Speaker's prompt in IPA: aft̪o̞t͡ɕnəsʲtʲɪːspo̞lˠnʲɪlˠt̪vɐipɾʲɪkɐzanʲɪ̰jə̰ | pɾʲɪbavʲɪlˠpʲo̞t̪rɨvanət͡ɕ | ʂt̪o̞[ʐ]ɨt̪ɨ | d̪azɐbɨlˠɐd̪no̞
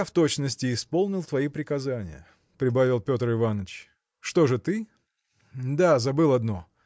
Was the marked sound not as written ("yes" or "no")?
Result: no